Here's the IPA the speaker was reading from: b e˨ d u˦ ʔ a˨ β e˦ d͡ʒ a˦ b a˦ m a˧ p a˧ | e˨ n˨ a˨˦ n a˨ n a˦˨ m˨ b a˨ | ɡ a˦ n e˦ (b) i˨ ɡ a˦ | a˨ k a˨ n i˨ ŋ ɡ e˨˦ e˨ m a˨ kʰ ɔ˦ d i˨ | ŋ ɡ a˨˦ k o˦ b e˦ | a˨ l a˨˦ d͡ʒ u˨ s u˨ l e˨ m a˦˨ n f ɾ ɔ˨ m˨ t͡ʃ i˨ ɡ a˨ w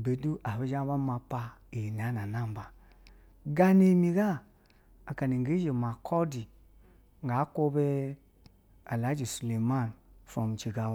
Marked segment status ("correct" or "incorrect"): incorrect